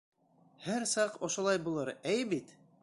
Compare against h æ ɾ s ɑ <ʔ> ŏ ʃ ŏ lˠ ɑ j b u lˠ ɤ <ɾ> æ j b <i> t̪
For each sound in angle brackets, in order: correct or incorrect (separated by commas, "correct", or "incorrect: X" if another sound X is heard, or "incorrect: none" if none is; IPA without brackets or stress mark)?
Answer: incorrect: q, correct, correct